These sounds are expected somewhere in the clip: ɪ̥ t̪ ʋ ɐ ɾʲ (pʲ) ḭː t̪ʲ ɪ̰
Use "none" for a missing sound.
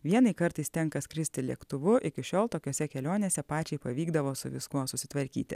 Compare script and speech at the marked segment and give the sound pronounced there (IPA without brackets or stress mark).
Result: kʲ